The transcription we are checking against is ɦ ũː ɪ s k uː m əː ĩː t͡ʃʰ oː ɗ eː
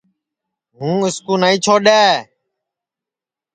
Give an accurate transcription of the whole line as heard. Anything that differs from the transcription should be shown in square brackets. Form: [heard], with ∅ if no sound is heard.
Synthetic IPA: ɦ ũː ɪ s k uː [n] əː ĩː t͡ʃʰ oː ɗ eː